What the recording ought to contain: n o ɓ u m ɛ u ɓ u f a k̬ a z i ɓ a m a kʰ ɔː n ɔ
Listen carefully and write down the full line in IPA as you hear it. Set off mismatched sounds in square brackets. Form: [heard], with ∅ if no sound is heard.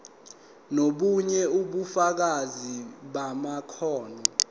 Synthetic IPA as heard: n o ɓ u [ɲ] ɛ u ɓ u f a k̬ a z i ɓ a m a kʰ ɔː n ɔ